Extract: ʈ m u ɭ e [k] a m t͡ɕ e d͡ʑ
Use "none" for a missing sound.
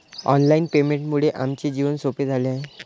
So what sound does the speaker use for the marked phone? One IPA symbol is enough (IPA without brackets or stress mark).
ʔ